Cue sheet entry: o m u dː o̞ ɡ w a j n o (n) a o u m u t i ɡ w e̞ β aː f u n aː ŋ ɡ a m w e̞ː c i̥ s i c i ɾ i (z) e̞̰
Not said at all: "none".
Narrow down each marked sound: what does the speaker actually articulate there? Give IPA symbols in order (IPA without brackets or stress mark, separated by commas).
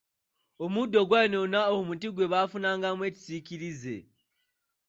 n, z